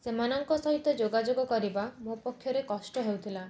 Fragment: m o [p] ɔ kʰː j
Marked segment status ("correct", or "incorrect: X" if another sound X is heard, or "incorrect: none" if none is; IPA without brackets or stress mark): correct